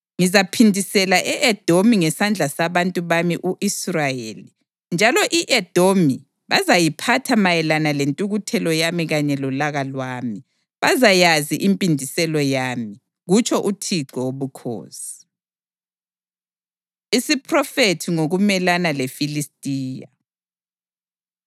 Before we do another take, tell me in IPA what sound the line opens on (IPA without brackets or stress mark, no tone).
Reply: ŋ